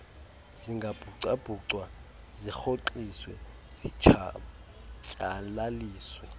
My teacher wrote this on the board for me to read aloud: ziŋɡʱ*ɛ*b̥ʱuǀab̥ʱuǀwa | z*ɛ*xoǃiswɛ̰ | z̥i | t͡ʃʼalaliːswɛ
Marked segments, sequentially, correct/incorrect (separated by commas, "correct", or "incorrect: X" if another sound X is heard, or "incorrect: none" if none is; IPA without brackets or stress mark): incorrect: a, incorrect: i